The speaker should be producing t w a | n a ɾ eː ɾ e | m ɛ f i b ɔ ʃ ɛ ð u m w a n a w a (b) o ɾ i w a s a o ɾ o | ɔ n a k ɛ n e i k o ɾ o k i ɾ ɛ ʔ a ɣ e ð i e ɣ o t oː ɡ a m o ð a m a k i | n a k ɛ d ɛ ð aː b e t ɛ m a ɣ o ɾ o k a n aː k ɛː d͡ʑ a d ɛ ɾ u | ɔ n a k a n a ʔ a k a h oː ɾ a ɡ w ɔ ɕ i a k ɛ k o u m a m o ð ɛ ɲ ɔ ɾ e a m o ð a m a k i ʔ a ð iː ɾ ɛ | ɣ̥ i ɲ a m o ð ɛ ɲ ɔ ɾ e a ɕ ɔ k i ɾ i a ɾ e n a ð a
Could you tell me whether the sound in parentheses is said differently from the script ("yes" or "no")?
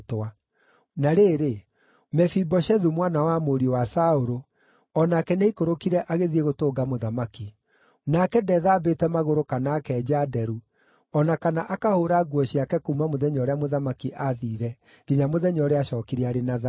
yes